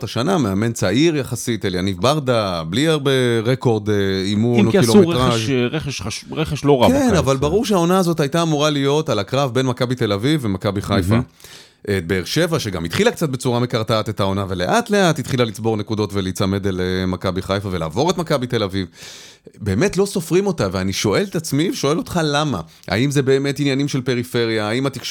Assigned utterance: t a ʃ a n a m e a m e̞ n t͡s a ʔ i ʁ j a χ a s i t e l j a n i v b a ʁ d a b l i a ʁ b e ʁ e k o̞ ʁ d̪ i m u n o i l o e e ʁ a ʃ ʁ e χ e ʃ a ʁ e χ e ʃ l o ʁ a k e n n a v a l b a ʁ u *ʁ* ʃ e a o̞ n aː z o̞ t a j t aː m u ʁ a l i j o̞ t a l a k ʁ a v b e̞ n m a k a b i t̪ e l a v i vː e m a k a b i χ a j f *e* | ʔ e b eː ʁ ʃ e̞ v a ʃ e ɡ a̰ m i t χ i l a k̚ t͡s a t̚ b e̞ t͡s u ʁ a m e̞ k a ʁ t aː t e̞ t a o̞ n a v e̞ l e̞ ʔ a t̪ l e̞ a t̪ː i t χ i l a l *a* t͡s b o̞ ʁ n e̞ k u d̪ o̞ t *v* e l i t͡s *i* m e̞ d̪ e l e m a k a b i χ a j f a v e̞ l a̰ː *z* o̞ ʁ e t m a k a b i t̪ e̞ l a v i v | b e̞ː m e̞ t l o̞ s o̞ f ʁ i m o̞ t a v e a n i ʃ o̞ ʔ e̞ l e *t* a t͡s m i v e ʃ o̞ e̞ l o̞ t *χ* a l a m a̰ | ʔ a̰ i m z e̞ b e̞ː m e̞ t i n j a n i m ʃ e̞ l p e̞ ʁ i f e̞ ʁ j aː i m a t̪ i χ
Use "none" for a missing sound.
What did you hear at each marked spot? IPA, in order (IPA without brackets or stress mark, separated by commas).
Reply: ʁ, a, i, v, a, v, t, χ